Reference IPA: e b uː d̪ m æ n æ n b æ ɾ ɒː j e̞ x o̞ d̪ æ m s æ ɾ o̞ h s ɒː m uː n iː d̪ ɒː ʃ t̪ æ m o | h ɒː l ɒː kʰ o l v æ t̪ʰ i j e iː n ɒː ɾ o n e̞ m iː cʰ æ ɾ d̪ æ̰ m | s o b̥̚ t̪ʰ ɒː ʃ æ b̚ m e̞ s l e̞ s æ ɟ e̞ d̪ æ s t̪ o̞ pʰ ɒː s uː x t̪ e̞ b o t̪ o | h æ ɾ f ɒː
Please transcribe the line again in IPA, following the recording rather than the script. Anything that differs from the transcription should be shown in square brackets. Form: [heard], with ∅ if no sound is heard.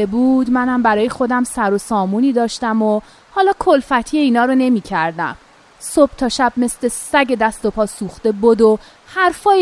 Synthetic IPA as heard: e b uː d̪ m æ n æ [m] b æ ɾ ɒː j e̞ x o̞ d̪ æ m s æ ɾ o̞ [∅] s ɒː m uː n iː d̪ ɒː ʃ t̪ æ m o | h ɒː l ɒː kʰ o l [f] æ t̪ʰ i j e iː n ɒː ɾ o n e̞ m iː cʰ æ ɾ d̪ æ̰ m | s o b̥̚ t̪ʰ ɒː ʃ æ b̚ m e̞ s l e̞ s æ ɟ e̞ d̪ æ s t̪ o̞ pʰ ɒː s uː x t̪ e̞ b o [d̪] o | h æ ɾ f ɒː